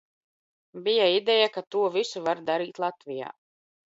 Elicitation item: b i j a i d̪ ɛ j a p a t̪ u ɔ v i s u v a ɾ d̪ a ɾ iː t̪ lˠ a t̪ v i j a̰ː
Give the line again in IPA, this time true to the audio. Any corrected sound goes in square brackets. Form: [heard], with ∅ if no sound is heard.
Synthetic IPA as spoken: b i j a i d̪ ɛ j a [k] a t̪ u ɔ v i s u v a ɾ d̪ a ɾ iː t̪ lˠ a t̪ v i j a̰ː